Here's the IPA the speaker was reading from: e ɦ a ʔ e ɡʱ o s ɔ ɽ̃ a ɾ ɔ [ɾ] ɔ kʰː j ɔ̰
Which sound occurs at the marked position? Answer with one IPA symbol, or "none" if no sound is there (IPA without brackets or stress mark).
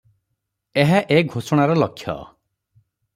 l